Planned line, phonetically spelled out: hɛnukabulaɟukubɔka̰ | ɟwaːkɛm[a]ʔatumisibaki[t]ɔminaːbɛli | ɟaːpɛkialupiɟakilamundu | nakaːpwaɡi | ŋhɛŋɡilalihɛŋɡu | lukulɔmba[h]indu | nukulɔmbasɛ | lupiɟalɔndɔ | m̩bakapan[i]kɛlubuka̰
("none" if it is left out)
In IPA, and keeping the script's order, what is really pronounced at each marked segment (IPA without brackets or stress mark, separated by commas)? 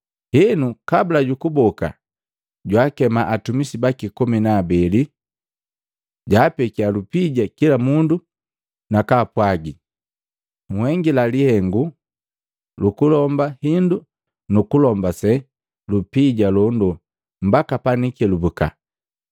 a, k, h, i